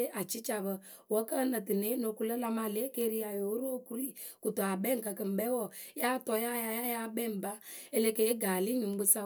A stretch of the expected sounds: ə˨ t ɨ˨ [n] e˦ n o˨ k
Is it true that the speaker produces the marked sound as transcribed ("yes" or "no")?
yes